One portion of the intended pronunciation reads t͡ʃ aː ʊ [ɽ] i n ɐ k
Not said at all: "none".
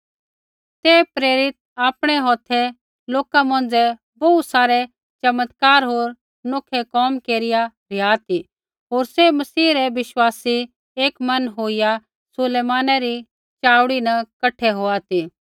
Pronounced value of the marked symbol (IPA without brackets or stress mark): ɽ